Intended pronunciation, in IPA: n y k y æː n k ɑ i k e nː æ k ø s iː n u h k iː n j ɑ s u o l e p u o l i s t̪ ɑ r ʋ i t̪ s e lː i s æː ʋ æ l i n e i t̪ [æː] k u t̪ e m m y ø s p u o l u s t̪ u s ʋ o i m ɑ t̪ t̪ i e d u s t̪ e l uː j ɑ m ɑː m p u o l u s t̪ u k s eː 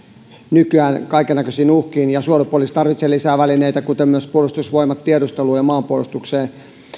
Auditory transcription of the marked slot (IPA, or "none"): æ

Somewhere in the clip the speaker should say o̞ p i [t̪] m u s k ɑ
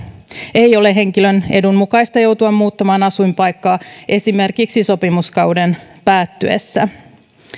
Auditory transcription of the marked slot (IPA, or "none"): none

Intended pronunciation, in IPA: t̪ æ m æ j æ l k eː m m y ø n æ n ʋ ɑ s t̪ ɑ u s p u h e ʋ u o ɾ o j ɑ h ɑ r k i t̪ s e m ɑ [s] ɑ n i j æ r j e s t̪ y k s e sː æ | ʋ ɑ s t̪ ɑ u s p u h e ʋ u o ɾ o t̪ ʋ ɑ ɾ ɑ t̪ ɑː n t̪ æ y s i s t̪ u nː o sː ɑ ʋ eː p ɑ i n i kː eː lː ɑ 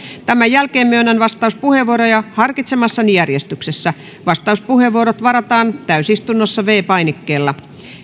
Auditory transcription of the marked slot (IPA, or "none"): sː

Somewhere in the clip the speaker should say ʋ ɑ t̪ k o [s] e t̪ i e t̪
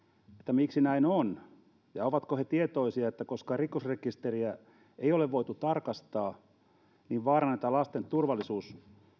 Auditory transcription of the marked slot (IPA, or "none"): h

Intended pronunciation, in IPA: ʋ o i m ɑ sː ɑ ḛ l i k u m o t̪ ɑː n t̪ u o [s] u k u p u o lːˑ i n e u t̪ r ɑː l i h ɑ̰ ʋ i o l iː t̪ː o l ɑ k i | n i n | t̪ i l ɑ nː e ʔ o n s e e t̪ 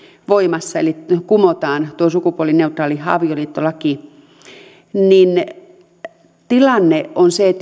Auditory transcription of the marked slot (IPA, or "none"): s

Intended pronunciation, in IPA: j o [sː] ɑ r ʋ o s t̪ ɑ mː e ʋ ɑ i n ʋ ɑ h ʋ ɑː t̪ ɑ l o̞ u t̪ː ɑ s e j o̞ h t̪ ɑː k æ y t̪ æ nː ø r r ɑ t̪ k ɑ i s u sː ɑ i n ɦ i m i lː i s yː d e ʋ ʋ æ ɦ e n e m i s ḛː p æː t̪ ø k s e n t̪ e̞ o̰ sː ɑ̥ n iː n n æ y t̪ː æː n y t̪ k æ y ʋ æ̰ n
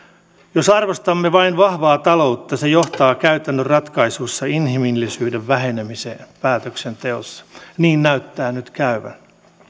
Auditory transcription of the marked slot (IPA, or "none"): s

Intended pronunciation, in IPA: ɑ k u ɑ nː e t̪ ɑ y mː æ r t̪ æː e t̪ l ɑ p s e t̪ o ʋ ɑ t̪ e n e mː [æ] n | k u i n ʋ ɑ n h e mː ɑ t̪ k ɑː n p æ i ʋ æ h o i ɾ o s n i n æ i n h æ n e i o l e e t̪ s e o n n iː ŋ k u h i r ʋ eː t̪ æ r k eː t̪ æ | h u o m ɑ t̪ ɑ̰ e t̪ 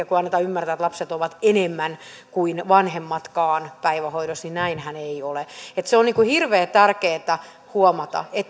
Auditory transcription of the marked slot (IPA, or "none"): æ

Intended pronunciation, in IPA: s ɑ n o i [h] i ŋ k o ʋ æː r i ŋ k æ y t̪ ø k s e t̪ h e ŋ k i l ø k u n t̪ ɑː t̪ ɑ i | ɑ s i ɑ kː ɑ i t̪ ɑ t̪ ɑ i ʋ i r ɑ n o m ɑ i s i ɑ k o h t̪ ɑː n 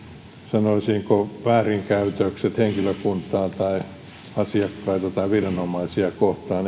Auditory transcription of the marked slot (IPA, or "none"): s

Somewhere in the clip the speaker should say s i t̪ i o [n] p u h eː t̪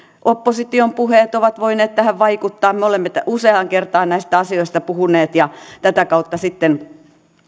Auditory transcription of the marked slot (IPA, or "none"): m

